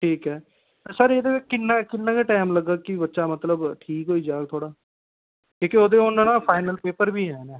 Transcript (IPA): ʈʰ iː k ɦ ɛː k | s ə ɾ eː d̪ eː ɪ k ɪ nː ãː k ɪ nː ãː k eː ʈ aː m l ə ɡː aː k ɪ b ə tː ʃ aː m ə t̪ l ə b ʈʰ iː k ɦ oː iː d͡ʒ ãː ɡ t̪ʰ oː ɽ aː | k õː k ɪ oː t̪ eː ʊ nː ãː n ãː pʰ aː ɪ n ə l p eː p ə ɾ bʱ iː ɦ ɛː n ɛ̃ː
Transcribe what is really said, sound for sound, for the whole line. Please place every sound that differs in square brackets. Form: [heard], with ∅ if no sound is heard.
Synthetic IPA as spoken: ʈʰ iː k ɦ ɛː [∅] | s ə ɾ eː d̪ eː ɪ k ɪ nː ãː k ɪ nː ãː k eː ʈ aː m l ə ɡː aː k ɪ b ə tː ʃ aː m ə t̪ l ə b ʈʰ iː k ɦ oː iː d͡ʒ [aː] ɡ t̪ʰ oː ɽ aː | k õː k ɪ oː [d̪] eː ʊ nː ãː n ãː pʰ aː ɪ n ə l p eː p ə ɾ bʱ iː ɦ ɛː n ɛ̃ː